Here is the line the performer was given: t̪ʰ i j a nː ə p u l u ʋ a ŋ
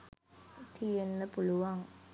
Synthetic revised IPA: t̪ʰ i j e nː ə p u l u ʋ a ŋ